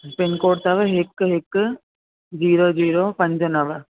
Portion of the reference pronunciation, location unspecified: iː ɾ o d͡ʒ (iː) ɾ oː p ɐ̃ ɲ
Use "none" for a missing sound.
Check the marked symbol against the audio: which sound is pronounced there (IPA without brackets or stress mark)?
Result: iː